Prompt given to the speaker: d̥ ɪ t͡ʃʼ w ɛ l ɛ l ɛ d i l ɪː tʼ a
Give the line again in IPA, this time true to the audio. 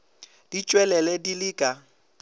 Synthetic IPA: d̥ i t͡ʃʼ w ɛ l ɛ l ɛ d i l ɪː kʼ a